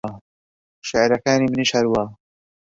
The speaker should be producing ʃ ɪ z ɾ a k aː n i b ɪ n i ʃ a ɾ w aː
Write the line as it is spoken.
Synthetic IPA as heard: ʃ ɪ ʕ ɾ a k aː n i m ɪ n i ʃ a ɾ w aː